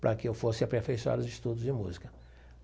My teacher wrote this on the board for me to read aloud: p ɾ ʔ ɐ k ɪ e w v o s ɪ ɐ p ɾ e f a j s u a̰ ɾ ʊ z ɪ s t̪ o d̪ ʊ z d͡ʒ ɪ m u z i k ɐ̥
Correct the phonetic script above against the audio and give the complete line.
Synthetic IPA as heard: p ɾ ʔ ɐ k ɪ e w f o s ɪ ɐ p ɾ e f e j s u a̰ ɾ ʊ z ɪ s t̪ u d̪ ʊ z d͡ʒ ɪ m u z i k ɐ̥